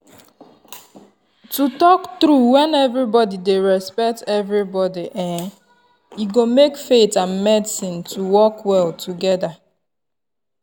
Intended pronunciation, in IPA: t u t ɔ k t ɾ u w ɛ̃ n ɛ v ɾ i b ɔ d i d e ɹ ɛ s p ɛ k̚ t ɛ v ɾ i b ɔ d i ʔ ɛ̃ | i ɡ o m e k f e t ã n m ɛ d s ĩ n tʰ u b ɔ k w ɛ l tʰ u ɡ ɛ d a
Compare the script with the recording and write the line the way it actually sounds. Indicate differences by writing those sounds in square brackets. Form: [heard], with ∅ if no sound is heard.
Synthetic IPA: t u t ɔ k t ɾ u w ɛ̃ n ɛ v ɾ i b ɔ d i d e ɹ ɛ s p ɛ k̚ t ɛ v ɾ i b ɔ d i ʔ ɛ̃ | i ɡ o m e k f e t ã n m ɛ d s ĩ n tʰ u [w] ɔ k w ɛ l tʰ u ɡ ɛ d a